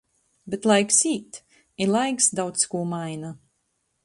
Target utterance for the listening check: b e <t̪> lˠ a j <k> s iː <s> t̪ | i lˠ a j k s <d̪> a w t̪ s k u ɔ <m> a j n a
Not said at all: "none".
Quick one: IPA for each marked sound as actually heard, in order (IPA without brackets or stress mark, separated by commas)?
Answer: t̪, k, none, d̪, m